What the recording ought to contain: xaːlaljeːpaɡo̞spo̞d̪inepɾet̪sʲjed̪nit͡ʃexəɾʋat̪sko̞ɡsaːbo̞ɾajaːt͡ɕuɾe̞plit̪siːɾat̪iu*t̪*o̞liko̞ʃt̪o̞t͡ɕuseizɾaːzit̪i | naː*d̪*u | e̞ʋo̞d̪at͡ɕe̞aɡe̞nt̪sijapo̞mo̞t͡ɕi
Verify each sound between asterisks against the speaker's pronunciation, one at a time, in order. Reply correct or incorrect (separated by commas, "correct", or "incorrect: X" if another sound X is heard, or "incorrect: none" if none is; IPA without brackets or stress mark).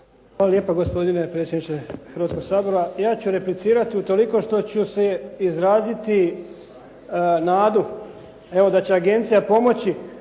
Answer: correct, correct